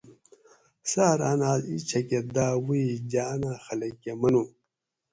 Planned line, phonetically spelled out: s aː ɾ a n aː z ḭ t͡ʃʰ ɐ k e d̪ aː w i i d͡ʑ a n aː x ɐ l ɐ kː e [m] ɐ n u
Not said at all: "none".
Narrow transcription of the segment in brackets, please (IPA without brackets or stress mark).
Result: m